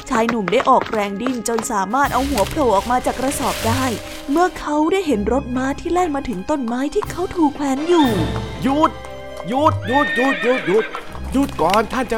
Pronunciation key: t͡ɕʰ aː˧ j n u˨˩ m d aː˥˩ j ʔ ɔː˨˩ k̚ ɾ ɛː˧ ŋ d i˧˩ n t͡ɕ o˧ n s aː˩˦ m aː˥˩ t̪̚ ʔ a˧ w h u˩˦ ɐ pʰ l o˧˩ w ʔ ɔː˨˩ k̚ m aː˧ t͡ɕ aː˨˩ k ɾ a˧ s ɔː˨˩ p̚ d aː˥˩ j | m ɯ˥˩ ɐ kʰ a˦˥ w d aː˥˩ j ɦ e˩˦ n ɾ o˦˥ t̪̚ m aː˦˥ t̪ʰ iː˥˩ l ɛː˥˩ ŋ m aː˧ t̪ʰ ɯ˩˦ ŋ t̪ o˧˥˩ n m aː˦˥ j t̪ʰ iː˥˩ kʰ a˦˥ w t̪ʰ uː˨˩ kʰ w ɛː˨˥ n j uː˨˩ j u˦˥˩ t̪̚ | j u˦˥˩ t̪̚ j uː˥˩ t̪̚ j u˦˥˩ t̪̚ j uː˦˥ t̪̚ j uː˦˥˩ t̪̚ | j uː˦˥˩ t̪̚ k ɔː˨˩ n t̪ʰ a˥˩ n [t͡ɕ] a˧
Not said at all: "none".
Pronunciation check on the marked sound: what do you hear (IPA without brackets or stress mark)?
t͡ɕ